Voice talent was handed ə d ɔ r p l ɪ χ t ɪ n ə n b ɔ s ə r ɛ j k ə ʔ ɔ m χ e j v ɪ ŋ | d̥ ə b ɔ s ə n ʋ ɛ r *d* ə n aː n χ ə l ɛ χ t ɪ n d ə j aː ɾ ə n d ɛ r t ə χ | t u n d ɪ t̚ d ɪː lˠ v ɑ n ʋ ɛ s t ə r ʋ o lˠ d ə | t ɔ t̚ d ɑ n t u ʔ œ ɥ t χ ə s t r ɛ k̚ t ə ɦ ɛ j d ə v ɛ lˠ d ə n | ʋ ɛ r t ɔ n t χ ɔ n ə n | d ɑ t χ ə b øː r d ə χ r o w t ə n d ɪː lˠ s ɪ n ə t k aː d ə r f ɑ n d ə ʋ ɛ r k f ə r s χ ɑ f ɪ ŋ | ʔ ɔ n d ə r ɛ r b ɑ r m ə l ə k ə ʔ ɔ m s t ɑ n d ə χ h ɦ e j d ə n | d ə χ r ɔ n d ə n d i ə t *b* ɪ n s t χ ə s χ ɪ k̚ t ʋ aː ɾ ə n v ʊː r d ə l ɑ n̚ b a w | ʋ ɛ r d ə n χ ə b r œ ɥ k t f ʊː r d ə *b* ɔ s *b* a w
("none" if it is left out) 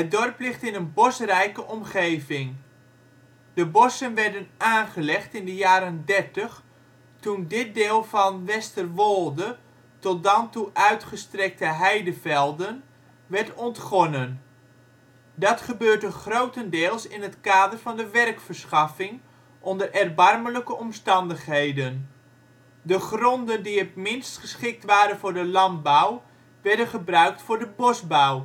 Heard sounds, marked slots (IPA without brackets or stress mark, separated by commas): d, m, b, b